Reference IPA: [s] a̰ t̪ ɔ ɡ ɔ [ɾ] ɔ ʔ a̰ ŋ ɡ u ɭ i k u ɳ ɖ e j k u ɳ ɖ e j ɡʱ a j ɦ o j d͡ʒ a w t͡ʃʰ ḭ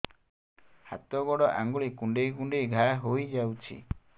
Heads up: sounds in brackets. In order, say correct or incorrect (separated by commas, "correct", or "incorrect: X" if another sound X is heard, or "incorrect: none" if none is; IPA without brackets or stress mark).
incorrect: h, incorrect: ɽ